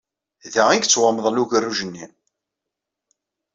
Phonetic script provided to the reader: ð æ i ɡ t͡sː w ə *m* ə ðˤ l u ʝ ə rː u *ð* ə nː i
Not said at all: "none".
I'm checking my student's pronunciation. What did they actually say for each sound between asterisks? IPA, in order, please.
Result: m, ʒ

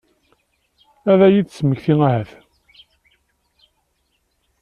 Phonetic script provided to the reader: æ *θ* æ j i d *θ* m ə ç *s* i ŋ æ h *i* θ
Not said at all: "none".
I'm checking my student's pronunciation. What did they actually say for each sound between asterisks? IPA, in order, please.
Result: ð, s, θ, æ

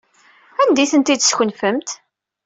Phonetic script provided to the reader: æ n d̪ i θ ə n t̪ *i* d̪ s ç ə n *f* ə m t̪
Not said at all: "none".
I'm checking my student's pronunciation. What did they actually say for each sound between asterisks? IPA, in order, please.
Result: i, f

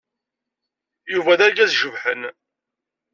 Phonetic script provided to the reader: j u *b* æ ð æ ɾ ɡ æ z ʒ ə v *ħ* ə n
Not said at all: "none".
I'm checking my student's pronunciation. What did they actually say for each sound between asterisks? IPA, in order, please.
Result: v, ħ

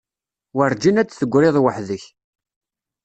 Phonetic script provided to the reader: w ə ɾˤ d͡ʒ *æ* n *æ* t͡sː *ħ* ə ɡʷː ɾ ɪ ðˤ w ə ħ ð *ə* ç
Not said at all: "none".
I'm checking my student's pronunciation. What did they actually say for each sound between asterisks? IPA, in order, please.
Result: i, æ, θ, ə

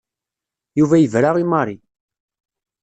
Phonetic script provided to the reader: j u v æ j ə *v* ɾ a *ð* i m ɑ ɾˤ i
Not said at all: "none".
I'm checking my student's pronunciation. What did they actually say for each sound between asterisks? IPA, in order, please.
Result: v, ʁ

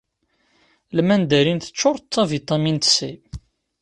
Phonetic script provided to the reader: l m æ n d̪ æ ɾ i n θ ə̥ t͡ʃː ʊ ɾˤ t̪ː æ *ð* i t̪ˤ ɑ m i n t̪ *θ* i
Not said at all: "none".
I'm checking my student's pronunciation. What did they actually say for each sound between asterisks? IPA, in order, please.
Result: v, s

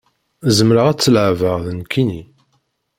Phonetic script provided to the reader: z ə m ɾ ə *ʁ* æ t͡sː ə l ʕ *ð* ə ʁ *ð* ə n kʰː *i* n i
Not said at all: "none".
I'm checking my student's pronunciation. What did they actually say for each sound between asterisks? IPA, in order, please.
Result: ʁ, v, ð, i

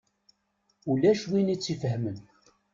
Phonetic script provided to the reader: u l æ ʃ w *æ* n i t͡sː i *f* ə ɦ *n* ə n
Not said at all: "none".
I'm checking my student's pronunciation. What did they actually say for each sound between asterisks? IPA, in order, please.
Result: i, f, m

